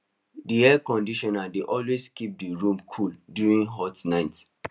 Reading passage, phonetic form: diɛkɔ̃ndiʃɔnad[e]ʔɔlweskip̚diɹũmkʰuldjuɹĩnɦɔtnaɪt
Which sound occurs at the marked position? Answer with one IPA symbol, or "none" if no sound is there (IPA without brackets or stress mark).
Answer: e